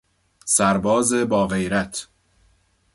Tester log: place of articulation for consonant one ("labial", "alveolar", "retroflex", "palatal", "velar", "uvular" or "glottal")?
alveolar